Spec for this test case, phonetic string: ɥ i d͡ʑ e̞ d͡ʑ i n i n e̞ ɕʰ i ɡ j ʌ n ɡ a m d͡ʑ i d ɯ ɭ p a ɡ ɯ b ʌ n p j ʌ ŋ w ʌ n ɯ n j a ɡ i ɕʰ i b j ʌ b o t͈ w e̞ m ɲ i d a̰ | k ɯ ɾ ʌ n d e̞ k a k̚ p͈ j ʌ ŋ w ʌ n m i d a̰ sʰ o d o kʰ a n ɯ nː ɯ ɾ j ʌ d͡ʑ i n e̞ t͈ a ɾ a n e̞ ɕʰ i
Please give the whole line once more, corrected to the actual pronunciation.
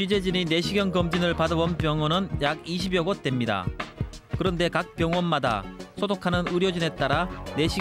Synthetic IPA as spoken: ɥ i d͡ʑ e̞ d͡ʑ i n i n e̞ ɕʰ i ɡ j ʌ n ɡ ʌ m d͡ʑ i n ɯ ɭ p a d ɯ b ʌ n p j ʌ ŋ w ʌ n ɯ n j a ɡ i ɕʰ i b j ʌ ɡ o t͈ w e̞ m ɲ i d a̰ | k ɯ ɾ ʌ n d e̞ k a k̚ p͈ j ʌ ŋ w ʌ n m a d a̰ sʰ o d o kʰ a n ɯ n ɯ ɾ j ʌ d͡ʑ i n e̞ t͈ a ɾ a n e̞ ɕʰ i